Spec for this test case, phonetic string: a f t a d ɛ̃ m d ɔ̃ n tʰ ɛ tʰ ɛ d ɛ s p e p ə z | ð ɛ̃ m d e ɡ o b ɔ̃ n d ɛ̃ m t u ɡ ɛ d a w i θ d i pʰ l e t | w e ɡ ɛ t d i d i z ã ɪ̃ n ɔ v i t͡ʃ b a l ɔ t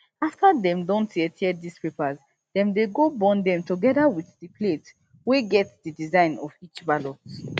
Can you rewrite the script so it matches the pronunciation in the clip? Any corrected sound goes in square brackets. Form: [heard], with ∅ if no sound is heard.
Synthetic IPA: a f t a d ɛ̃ m d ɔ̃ n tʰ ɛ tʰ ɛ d [i] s p e p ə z | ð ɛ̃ m d e ɡ o b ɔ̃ n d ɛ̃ m t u ɡ ɛ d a w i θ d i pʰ l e t | w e ɡ ɛ t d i d i z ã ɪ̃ n ɔ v i t͡ʃ b a l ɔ t